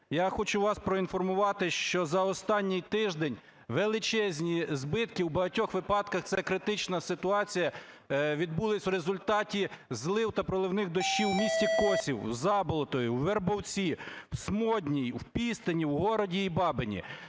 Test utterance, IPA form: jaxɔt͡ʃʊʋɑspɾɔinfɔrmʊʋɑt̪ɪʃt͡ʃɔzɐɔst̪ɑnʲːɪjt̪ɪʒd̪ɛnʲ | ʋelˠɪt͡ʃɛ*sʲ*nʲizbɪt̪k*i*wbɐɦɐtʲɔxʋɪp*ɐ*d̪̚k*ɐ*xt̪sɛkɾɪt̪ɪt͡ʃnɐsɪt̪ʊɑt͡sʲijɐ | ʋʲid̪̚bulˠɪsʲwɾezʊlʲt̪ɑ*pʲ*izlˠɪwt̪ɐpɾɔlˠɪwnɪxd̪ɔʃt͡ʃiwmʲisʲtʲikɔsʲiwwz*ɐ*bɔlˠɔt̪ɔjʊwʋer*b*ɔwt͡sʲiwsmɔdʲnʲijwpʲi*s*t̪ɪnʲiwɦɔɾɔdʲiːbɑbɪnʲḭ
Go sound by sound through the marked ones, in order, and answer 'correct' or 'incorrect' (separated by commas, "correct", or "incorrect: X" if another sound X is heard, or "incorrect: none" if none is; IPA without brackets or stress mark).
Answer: incorrect: zʲ, correct, incorrect: ɑ, correct, incorrect: tʲ, incorrect: ɑ, correct, correct